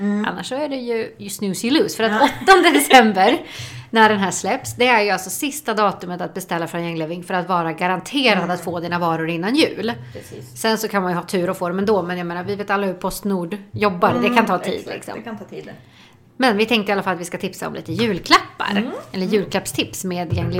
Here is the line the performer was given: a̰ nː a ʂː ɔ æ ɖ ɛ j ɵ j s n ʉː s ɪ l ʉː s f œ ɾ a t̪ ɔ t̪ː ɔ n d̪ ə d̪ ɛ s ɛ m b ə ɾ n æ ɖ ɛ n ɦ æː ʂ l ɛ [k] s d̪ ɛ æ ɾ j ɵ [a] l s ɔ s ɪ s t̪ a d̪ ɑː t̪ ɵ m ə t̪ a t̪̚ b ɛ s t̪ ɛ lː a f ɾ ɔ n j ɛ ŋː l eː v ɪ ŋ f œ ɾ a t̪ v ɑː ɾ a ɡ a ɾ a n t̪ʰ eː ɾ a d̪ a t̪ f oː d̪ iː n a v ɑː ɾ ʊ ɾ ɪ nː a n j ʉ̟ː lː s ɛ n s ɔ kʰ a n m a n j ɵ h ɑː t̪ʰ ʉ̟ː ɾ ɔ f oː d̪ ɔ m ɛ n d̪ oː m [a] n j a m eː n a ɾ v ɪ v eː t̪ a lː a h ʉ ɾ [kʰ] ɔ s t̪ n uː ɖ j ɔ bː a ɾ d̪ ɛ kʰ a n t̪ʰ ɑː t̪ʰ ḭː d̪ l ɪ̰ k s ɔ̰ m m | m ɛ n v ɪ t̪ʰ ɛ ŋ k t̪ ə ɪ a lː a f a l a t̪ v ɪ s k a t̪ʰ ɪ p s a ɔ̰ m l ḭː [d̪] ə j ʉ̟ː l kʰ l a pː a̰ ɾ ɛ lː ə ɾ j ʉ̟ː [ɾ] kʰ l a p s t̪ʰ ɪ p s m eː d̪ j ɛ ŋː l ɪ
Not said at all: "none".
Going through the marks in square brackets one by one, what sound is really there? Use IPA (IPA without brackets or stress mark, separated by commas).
p, a, ɛ, pʰ, t̪, l